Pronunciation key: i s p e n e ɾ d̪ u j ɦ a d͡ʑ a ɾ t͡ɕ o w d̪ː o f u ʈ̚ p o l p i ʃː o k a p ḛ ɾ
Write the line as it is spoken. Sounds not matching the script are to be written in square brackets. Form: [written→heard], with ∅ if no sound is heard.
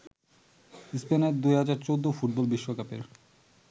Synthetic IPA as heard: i s p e n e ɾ d̪ u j ɦ a d͡ʑ a ɾ t͡ɕ o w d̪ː o f u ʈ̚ [p→b] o l [p→b] i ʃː o k a p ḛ ɾ